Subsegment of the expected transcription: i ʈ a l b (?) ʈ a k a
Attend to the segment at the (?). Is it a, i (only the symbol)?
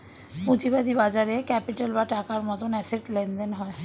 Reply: a